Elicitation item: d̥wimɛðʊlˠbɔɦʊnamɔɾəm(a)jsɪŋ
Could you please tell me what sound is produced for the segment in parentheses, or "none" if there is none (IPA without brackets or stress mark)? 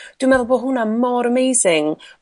e